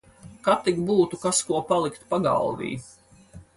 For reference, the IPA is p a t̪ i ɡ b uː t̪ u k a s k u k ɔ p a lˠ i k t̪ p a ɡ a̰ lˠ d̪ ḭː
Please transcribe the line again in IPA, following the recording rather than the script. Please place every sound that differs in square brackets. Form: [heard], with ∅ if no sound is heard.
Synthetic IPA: [k] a t̪ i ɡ b uː t̪ u k a s k u [∅] ɔ p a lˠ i k t̪ p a ɡ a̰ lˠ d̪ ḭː